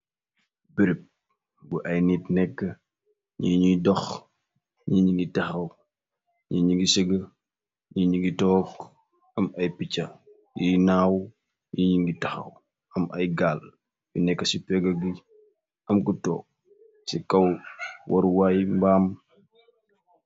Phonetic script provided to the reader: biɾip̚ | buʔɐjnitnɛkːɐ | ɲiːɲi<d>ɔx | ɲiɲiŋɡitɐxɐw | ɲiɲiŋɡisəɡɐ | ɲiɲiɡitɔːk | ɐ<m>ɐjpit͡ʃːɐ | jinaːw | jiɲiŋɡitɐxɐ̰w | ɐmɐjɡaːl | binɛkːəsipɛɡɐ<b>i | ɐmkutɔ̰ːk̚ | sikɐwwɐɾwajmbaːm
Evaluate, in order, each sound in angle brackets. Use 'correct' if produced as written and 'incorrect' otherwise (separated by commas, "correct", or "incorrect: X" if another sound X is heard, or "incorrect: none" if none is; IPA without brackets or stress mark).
correct, correct, incorrect: ɡ